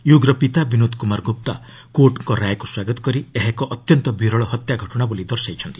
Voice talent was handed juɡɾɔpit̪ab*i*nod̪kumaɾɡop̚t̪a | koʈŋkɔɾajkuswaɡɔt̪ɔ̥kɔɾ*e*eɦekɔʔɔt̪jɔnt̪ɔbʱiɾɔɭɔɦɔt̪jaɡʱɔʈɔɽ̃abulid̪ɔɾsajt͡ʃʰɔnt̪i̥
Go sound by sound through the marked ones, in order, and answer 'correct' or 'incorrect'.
correct, incorrect

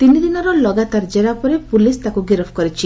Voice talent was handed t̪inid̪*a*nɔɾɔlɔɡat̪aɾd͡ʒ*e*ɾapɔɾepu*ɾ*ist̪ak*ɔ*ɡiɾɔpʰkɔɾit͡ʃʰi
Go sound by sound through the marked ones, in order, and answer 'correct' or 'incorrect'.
incorrect, correct, incorrect, incorrect

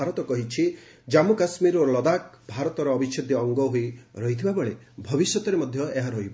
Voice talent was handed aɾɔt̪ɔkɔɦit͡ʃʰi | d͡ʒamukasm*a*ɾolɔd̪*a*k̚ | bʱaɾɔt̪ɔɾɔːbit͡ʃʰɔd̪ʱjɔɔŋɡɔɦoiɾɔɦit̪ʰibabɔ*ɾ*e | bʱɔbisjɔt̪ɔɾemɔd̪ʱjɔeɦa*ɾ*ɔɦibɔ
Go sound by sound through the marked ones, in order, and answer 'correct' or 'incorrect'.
incorrect, correct, incorrect, correct

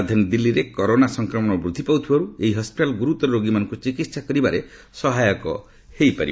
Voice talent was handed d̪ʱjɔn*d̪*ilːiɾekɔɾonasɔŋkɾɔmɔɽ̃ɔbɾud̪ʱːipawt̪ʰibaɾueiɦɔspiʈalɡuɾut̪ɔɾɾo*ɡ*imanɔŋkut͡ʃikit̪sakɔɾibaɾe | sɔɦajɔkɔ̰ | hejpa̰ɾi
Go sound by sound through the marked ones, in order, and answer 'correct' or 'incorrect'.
correct, correct

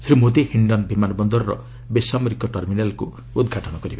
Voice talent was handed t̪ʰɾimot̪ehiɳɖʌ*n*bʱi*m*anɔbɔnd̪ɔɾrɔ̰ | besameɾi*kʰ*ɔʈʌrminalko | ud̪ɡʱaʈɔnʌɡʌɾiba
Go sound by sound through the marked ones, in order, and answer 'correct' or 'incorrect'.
correct, correct, incorrect

